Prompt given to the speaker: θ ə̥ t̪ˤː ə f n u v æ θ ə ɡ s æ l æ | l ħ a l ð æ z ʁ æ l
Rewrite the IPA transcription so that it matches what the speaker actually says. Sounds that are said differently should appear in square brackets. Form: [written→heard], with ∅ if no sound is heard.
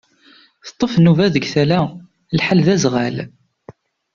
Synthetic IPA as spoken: θ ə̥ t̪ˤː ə f n u v æ [θ→ð] ə ɡ [s→θ] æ l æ | l ħ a l ð æ z ʁ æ l